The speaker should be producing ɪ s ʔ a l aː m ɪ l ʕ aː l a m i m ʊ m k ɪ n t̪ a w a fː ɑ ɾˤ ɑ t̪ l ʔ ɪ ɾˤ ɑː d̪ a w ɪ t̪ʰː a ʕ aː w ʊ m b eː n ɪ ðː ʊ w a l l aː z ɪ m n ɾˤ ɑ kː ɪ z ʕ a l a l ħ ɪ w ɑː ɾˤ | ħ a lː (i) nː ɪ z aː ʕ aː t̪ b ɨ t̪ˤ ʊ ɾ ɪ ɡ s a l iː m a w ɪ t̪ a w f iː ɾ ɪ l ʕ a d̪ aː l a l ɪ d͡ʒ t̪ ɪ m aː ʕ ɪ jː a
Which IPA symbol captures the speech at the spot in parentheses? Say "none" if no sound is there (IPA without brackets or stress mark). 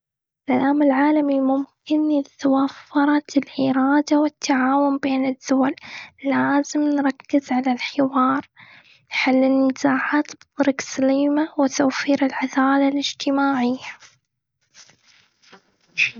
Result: ɪ